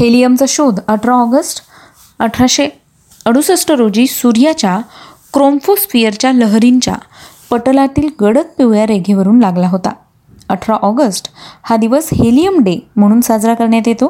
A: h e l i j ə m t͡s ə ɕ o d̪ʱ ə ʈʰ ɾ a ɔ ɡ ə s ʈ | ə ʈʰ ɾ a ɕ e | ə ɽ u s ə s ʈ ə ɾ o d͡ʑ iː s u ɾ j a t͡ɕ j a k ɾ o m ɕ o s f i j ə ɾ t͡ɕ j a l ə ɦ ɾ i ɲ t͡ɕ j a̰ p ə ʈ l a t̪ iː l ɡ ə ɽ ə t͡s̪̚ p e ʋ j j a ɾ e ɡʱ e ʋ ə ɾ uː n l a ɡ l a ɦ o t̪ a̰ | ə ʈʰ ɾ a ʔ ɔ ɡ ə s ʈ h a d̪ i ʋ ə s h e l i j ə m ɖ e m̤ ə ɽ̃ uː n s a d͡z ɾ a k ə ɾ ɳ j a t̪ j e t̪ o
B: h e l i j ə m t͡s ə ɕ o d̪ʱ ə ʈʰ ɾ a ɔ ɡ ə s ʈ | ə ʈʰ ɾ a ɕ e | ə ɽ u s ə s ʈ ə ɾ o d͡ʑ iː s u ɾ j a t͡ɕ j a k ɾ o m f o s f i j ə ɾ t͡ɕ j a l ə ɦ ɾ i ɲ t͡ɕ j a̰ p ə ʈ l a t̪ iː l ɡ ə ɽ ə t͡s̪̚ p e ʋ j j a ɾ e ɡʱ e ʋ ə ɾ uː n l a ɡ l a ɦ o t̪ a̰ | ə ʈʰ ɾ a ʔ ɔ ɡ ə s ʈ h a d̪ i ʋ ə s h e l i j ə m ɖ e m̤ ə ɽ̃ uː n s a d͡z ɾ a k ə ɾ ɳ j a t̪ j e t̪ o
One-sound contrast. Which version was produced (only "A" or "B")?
B